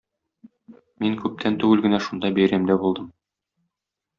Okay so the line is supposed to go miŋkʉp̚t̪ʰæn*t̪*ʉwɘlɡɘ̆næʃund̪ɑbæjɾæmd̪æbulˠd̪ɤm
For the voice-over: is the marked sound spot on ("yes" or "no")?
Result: yes